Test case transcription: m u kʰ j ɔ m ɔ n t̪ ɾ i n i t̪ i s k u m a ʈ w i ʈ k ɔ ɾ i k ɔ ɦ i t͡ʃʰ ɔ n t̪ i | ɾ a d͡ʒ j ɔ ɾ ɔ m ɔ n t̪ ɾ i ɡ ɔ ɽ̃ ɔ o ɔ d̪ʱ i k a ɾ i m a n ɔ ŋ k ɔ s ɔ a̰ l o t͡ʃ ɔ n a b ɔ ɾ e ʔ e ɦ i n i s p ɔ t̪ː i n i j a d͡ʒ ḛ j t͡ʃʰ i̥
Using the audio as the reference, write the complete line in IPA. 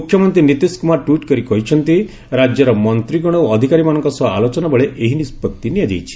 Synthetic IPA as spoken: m u kʰ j ɔ m ɔ n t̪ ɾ i n i t̪ i s k u m a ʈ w i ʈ k ɔ ɾ i k ɔ ɦ i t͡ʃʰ ɔ n t̪ i | ɾ a d͡ʒ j ɔ ɾ ɔ m ɔ n t̪ ɾ i ɡ ɔ ɽ̃ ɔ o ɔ d̪ʱ i k a ɾ i m a n ɔ ŋ k ɔ s ɔ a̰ l o t͡ʃ ɔ n a b ɔ ɭ e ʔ e ɦ i n i s p ɔ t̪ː i n i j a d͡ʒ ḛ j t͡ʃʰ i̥